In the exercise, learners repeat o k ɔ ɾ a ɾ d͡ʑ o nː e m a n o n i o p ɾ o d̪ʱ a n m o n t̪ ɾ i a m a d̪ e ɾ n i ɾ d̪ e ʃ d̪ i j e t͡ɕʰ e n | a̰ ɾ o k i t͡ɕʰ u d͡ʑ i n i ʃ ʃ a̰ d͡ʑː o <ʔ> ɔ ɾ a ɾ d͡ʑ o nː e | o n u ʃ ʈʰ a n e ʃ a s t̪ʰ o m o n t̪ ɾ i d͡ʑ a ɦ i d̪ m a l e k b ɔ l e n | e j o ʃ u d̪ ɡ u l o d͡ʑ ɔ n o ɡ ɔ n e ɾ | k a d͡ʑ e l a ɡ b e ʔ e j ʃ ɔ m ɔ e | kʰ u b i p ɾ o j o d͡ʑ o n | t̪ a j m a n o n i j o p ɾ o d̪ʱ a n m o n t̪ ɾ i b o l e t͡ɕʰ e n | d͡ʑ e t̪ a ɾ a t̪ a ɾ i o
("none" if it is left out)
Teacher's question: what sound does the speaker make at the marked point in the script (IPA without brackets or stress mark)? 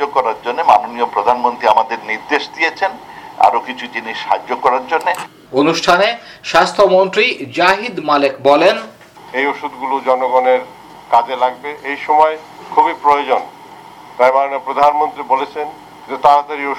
k